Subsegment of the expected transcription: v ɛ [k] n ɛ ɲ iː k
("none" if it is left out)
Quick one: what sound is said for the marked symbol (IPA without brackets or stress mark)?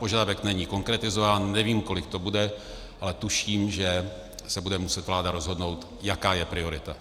k